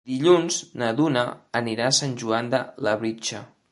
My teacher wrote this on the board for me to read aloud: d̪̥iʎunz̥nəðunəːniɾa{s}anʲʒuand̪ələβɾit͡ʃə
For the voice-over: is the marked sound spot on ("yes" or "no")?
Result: yes